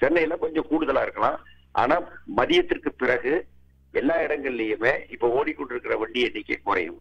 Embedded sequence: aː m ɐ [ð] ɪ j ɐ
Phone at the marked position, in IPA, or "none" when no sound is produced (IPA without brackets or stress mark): ð